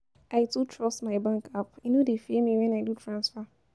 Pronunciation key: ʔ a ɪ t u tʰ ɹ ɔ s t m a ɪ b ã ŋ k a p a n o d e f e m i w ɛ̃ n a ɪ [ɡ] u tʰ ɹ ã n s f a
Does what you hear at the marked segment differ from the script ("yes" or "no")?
yes